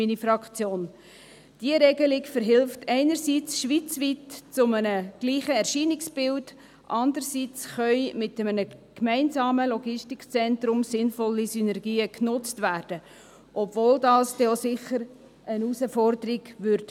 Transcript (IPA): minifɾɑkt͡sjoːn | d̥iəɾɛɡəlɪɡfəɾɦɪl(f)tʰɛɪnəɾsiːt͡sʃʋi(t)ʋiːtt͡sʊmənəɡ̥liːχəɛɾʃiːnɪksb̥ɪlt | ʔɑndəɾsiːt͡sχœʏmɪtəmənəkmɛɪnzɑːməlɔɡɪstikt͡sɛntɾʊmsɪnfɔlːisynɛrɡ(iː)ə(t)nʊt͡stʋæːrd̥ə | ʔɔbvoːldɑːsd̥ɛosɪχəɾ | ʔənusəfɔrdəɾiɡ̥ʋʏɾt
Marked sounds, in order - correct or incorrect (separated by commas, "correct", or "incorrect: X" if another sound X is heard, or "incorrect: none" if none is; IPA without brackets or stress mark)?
correct, incorrect: t͡s, correct, incorrect: k